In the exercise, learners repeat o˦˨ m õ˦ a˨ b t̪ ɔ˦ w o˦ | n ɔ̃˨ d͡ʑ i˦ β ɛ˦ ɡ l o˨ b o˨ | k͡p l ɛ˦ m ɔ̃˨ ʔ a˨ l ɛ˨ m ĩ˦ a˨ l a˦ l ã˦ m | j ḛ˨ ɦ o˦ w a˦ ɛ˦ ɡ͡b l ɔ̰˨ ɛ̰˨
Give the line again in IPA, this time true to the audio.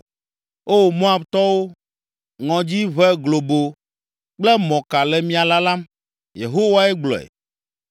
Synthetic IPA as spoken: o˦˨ m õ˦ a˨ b t̪ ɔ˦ w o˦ | ŋ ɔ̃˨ d͡ʑ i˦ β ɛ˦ ɡ l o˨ b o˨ | k͡p l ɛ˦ m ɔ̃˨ k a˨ l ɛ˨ m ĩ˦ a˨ l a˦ l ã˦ m | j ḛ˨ ɦ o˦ w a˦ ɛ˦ ɡ͡b l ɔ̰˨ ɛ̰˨